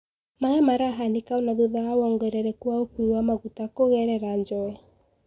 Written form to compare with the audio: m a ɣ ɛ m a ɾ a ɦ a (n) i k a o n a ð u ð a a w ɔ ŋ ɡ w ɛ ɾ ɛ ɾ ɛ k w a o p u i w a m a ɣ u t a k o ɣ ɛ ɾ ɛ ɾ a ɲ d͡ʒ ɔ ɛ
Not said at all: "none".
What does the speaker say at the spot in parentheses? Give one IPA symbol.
n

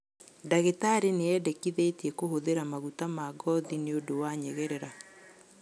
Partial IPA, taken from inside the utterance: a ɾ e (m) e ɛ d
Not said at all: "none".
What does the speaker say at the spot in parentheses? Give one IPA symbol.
n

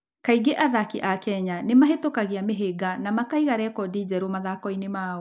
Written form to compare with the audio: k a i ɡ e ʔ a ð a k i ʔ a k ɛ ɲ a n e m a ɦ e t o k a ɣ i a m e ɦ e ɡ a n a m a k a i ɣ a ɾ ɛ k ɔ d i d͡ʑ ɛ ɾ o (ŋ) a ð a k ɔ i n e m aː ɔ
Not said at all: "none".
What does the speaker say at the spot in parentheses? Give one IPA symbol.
m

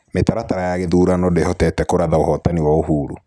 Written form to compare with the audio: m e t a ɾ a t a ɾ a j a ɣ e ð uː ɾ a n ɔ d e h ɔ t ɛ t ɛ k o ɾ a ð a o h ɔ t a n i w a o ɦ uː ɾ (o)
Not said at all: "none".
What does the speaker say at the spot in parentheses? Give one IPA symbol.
u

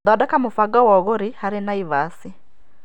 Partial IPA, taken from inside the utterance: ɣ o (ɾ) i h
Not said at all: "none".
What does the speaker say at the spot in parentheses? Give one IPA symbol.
ɾ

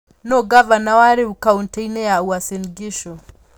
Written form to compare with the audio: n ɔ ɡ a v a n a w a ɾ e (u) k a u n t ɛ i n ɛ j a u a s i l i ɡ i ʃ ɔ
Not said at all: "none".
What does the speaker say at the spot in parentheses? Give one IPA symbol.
u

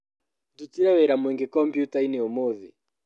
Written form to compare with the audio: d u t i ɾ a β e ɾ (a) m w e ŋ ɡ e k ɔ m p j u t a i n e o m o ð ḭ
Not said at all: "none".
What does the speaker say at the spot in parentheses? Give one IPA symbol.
a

